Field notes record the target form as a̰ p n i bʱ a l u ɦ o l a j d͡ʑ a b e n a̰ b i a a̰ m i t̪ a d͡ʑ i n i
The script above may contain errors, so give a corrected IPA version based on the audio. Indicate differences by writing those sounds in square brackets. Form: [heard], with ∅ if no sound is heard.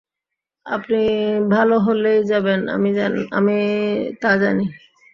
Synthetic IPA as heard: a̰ p n i bʱ a l [o] ɦ o l [e] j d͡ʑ a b e n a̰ [m] i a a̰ m i t̪ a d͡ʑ [a] n i